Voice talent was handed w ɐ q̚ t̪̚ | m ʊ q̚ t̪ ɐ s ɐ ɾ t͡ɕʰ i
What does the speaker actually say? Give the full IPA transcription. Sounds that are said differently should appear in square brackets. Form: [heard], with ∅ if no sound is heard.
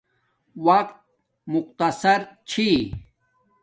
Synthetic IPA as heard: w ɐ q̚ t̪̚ | m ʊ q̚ t̪ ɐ s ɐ ɾ t͡ɕʰ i